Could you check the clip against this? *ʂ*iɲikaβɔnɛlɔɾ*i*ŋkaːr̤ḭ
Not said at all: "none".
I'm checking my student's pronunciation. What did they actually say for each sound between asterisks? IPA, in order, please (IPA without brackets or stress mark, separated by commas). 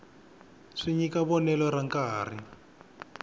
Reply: ʂ, a